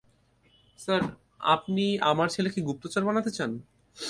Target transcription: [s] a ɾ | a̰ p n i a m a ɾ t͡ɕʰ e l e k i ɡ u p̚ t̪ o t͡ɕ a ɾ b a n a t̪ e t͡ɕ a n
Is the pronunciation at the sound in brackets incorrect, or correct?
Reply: correct